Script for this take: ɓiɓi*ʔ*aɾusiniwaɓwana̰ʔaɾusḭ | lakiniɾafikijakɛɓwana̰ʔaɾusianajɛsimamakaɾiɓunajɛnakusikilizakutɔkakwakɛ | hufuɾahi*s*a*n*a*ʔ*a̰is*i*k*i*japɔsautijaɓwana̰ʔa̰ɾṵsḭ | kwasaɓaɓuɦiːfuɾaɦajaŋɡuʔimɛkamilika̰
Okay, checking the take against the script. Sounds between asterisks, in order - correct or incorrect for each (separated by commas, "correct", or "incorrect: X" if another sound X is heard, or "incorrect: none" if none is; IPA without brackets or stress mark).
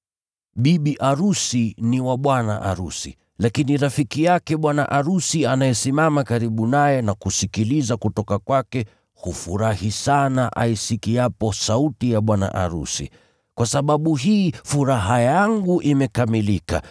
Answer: correct, correct, correct, correct, correct, correct